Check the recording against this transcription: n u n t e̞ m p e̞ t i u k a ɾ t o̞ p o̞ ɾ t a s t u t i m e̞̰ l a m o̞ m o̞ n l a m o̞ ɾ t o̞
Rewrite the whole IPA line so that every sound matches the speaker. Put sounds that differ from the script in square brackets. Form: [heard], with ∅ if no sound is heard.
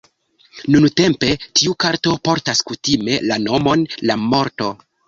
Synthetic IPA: n u n t e̞ m p e̞ t i u k a ɾ t o̞ p o̞ ɾ t a s [k] u t i m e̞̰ l a [n] o̞ m o̞ n l a m o̞ ɾ t o̞